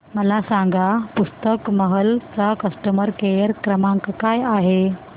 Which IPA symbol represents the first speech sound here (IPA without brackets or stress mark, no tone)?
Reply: m